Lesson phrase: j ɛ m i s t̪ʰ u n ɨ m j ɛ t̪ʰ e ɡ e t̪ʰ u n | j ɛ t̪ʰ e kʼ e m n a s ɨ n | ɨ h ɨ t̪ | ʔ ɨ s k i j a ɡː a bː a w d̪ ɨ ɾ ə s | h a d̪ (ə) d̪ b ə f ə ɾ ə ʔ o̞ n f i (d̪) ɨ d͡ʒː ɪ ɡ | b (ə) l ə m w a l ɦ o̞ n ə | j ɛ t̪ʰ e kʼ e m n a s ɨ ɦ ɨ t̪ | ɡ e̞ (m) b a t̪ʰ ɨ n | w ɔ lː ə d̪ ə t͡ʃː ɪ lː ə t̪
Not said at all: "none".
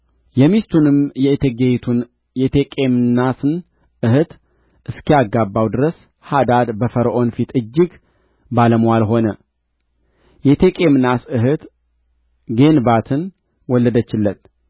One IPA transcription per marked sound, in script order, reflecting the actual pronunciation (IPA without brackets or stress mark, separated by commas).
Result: a, t̪, a, n